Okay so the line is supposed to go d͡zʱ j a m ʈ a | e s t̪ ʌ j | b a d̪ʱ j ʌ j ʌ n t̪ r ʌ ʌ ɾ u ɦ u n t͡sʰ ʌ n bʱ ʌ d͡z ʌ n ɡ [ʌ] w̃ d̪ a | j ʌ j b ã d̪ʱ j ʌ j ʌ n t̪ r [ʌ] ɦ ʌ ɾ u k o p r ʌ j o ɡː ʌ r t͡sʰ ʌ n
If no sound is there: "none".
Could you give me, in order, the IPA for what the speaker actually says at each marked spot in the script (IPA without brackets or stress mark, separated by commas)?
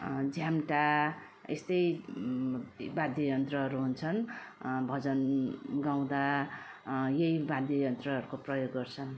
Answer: a, ʌ